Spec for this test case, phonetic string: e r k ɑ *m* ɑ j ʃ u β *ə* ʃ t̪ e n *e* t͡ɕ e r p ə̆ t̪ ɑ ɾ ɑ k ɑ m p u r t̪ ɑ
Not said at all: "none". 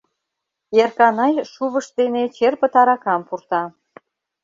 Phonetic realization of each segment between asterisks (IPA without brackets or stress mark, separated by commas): n, ə, e